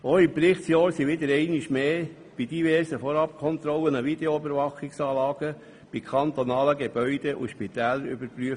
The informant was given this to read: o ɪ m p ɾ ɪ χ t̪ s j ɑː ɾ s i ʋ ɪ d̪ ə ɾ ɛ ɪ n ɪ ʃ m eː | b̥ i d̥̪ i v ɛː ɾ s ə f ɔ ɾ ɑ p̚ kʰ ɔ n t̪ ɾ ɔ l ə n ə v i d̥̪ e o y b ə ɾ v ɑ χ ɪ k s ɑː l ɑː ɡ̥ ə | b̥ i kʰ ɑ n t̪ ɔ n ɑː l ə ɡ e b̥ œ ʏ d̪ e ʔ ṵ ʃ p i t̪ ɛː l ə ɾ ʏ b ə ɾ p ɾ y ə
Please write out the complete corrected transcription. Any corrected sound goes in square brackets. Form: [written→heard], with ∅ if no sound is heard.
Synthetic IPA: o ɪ m p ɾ ɪ χ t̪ s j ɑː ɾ s i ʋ ɪ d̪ ə ɾ ɛ ɪ n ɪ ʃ m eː | b̥ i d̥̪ i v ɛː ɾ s ə f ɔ ɾ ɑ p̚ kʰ ɔ n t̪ ɾ ɔ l ə n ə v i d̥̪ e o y b ə ɾ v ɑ χ ɪ k s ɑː l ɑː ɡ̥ ə | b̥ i kʰ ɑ n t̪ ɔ n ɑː l ə ɡ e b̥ œ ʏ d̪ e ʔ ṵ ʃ p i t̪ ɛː l ə ɾ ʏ b ə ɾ p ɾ y ə